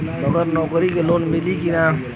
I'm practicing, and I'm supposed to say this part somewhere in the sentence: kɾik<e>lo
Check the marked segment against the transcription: correct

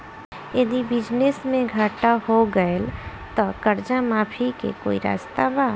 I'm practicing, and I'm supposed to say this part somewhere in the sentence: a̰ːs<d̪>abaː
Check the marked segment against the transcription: incorrect: t̪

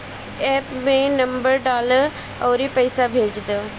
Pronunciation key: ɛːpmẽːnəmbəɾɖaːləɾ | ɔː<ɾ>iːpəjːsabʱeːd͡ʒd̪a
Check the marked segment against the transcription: correct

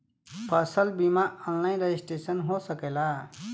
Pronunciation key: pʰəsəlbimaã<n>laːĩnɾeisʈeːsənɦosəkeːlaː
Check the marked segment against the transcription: correct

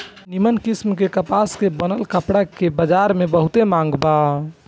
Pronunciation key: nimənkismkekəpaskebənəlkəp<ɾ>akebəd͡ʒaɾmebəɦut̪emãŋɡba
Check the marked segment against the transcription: incorrect: ɽ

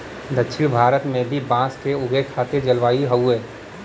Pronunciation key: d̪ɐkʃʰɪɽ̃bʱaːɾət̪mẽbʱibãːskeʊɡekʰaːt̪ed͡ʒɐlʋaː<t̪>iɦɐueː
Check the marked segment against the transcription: incorrect: none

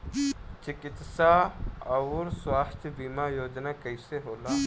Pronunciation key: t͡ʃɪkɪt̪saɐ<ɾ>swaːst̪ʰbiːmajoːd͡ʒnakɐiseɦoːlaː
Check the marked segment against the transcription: correct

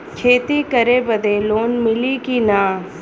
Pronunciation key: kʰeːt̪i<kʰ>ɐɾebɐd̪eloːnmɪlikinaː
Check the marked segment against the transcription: incorrect: k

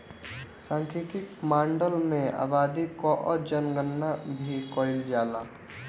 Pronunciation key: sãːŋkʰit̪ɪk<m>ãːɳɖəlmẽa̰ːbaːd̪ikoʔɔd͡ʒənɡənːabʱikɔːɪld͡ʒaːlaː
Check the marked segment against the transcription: correct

